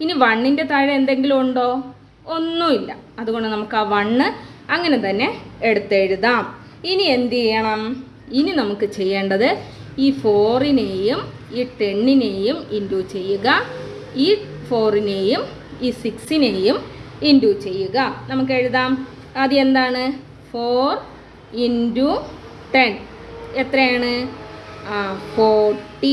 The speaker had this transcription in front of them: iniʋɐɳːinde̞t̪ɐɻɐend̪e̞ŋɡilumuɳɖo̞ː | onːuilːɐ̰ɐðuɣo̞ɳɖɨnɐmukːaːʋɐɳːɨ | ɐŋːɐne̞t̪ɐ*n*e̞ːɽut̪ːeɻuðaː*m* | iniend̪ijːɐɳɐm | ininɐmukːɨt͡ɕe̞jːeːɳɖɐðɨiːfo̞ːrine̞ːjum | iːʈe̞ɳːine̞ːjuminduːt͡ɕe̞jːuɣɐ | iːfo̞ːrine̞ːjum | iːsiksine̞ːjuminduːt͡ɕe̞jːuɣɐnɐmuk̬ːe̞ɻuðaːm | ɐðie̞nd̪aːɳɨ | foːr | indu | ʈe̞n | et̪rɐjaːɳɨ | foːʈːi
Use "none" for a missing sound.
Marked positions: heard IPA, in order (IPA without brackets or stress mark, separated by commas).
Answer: nː, m